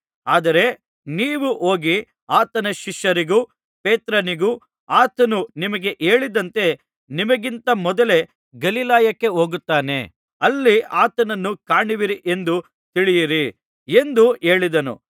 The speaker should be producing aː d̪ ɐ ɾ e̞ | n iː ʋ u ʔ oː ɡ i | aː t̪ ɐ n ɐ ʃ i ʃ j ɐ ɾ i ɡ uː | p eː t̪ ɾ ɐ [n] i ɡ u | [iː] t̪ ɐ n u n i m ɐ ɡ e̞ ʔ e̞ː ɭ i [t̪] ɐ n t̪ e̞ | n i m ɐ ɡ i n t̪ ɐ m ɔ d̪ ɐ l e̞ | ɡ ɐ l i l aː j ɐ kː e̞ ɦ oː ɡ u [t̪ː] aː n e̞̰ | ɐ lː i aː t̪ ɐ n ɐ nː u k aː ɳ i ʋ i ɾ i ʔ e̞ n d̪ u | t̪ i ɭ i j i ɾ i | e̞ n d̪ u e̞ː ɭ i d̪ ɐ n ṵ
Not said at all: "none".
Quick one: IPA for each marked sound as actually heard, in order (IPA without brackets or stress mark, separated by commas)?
n, aː, d̪, t̪ː